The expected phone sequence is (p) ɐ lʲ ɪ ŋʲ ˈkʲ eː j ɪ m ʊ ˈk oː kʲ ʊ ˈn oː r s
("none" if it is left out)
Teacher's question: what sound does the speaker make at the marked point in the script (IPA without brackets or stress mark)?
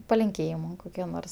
p